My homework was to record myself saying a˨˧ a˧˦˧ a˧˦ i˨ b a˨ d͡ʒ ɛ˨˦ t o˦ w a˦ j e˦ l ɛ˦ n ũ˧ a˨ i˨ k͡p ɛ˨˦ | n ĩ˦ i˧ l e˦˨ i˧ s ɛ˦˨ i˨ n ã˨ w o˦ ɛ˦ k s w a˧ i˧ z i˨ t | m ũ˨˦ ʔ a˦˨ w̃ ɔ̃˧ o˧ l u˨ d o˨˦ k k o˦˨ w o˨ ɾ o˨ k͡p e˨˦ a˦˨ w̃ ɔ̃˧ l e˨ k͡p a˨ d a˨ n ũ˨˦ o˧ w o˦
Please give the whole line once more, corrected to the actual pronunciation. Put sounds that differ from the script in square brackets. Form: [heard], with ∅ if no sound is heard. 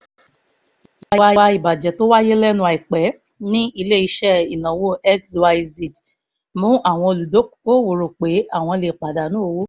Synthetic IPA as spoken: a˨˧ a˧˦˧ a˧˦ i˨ b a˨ d͡ʒ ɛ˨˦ t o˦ w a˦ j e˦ l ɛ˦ n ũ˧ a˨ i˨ k͡p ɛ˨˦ | n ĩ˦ i˧ l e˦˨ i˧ [ʃ] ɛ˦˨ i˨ n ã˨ w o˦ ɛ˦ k s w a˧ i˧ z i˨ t | m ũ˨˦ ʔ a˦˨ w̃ ɔ̃˧ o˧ l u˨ d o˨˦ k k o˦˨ w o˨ ɾ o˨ k͡p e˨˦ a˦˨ w̃ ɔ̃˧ l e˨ k͡p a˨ d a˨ n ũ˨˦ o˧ w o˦